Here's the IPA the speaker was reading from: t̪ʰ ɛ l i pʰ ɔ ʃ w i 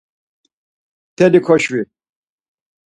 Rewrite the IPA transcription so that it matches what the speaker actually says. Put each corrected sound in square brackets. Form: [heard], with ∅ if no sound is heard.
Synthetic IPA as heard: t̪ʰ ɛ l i [kʰ] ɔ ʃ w i